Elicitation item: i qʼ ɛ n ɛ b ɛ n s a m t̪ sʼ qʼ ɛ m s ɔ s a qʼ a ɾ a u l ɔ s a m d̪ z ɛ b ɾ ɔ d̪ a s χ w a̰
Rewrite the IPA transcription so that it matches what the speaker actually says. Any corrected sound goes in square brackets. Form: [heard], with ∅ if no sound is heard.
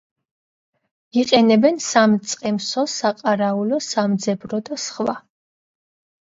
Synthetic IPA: i qʼ ɛ n ɛ b ɛ n s a m t̪ sʼ qʼ ɛ m s ɔ s a qʼ a ɾ a u l ɔ s a m d̪ z ɛ b ɾ ɔ d̪ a s χ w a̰